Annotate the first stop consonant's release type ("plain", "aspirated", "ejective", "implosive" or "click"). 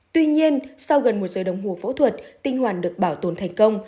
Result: plain